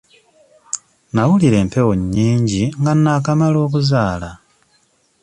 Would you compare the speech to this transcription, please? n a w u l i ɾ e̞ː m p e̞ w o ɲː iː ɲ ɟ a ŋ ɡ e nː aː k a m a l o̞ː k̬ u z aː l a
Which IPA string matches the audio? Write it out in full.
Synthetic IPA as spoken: n a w u l i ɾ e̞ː m p e̞ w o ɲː iː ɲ ɟ i ŋ ɡ a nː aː k a m a l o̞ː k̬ u z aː l a

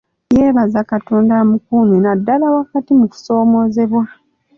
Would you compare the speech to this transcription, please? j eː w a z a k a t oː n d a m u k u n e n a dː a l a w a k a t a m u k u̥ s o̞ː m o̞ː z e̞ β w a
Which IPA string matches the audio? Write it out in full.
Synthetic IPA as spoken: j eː β a z a k a t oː n d a m u k u n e n a dː a l a w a k a t i m u k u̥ s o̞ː m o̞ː z e̞ β w a

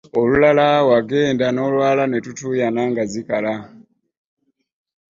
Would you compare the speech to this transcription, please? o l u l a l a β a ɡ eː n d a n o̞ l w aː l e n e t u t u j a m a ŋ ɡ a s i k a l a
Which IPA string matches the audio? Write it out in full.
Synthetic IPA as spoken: o l u l a l a w a ɡ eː n d a n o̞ l w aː l a n e t u t u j a n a ŋ ɡ a z i k a l a

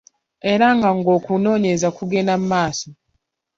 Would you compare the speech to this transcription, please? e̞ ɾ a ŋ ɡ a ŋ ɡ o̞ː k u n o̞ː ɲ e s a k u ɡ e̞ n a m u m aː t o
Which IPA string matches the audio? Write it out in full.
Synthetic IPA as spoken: e̞ ɾ a ŋ ɡ a ŋ ɡ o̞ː k u n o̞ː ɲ e z a k u ɡ e̞ n a m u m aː s o

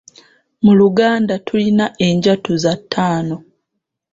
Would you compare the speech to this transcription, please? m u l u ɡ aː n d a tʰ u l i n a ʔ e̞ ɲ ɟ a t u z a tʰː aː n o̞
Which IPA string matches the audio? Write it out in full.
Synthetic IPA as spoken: m u l u ɡ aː n d a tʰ u l i n a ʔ e̞ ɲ ɟ a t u z a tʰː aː n o̞

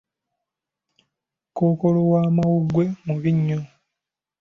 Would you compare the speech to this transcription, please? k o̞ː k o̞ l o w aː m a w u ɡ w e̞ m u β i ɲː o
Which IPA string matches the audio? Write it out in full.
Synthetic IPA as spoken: k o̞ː k o̞ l o w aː m a w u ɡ w e̞ m u β i ɲː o

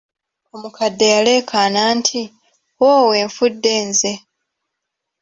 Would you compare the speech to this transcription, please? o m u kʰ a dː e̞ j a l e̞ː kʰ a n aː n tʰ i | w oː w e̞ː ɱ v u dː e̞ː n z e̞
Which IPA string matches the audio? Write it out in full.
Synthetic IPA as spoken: o m u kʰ a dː e̞ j a l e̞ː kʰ a n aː n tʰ i | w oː w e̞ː ɱ f u dː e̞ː n z e̞

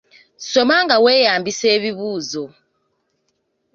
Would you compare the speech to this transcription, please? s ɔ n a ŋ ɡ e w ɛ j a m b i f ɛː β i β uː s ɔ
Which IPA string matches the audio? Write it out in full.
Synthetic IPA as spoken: s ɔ m a ŋ ɡ a w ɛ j a m b i s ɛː β i β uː z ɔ

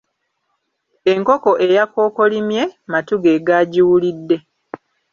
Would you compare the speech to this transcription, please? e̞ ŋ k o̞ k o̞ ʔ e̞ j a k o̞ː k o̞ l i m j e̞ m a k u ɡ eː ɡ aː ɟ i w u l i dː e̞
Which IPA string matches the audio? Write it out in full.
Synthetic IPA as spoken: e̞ ŋ k o̞ k o̞ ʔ e̞ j a k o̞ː k o̞ l i m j e̞ m a t u ɡ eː ɡ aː ɟ i w u l i dː e̞

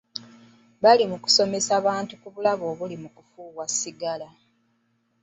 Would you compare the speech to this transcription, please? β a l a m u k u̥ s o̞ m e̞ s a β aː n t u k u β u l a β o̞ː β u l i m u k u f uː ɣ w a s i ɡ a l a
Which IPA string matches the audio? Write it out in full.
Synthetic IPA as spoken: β a l i m u k u̥ s o̞ m e̞ s a β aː n t u k u β u l a β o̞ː β u l i m u k u f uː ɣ w a s i ɡ a l a

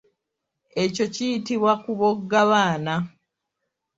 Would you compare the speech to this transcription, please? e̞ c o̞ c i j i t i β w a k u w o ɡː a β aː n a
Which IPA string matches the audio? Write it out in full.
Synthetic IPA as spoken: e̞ c o̞ c i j i t i β w a k u β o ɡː a β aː n a

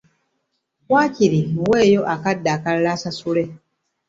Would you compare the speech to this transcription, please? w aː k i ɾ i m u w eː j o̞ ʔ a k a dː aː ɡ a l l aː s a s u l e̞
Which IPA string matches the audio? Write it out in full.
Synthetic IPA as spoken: w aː c i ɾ i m u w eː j o̞ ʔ a k a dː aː k a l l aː s a s u l e̞

